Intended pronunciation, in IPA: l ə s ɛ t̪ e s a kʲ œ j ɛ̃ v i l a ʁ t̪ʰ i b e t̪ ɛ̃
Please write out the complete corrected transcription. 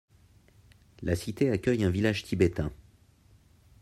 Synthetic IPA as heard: l a s i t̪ e a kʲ œ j ɛ̃ v i l a ʒ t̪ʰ i b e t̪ ɛ̃